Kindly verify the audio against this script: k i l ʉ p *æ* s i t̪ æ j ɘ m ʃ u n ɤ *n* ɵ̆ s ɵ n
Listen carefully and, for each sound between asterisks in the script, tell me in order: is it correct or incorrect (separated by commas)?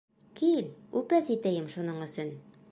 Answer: correct, incorrect